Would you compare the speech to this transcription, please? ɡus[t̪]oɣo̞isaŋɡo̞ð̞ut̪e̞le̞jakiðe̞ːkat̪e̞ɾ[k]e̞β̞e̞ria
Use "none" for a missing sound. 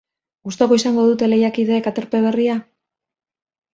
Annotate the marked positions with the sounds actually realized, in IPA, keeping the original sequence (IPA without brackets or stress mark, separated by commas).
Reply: t̪, p